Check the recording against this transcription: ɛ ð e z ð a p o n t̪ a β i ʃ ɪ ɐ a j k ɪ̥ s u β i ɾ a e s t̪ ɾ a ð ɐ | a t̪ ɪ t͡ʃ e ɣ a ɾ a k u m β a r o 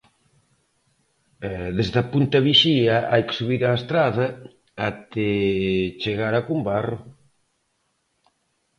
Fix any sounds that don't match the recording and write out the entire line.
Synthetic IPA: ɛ ð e z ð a p u n t̪ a β i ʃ i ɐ a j k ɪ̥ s u β i ɾ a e s t̪ ɾ a ð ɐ | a t̪ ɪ t͡ʃ e ɣ a ɾ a k u m b a r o